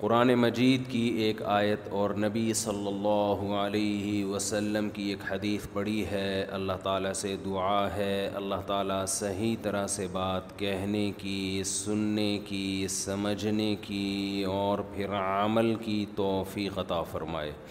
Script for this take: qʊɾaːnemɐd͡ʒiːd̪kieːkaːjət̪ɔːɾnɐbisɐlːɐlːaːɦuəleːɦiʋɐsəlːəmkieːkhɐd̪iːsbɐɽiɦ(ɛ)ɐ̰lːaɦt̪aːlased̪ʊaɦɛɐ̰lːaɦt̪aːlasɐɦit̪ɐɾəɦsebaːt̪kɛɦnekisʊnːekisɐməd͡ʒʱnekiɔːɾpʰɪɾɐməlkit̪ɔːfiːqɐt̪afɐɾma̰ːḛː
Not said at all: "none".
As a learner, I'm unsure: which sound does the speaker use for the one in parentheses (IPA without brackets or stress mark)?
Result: ɛ